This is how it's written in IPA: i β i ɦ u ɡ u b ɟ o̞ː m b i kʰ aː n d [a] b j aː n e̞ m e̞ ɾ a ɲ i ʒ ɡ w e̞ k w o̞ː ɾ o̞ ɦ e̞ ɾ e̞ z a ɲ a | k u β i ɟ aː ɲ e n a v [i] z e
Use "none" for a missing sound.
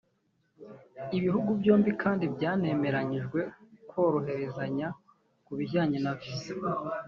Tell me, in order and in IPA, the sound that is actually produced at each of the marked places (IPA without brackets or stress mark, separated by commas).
i, i